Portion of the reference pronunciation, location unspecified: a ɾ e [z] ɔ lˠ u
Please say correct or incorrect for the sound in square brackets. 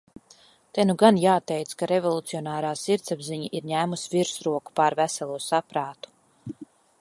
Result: incorrect